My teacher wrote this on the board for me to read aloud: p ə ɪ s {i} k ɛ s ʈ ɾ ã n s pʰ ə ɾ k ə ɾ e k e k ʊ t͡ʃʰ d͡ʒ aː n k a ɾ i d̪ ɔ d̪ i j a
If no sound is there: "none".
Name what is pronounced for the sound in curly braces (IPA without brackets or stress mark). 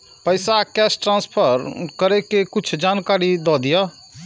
a